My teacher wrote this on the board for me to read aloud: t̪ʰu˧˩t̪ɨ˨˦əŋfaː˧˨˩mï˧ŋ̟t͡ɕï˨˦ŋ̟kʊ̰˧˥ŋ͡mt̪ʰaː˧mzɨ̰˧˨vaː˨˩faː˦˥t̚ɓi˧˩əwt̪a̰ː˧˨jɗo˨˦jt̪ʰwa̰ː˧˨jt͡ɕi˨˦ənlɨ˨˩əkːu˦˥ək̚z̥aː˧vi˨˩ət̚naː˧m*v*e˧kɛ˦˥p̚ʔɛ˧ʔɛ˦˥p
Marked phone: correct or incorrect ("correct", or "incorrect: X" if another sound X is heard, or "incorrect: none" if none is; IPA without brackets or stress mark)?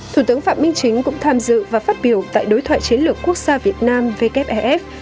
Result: correct